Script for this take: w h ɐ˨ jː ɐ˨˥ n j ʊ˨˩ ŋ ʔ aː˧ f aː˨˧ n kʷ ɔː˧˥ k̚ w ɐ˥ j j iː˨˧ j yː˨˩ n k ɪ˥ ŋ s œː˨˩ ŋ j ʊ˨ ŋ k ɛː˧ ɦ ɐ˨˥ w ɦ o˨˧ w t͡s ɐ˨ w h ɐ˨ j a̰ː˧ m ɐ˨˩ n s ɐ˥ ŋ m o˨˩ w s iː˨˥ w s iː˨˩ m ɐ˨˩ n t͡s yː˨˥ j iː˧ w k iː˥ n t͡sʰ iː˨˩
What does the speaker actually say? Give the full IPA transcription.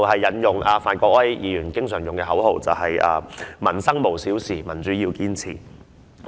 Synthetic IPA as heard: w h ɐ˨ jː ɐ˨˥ n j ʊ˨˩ ŋ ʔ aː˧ f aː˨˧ n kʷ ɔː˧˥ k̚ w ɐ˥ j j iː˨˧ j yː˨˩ n k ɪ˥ ŋ s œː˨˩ ŋ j ʊ˨ ŋ k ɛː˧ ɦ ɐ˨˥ w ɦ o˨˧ w t͡s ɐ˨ w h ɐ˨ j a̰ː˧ m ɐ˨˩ n s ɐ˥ ŋ m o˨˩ w s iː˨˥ w s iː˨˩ m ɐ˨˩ n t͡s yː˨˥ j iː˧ w k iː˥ n t͡sʰ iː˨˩